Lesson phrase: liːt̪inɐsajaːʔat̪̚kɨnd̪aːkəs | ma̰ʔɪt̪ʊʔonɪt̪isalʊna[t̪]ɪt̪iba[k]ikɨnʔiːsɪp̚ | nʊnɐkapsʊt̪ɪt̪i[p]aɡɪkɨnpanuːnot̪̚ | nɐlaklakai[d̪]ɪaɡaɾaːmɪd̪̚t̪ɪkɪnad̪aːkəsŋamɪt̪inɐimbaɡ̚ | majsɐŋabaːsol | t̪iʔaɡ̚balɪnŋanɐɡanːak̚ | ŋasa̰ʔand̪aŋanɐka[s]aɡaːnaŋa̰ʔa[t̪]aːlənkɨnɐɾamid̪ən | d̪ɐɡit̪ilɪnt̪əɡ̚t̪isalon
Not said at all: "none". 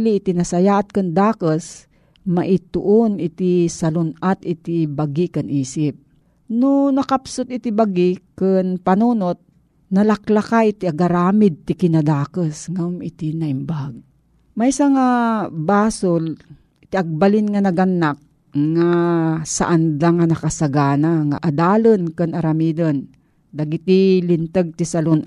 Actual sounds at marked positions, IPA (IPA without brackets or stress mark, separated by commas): t̪, ɡ, b, t̪, s, d̪